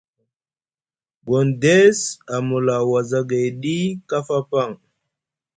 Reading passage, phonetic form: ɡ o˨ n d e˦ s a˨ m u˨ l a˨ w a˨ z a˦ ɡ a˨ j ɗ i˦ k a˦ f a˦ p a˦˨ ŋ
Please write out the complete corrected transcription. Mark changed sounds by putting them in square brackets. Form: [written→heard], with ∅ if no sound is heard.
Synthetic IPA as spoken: ɡ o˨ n d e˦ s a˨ m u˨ l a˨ w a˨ z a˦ ɡ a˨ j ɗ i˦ k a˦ f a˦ p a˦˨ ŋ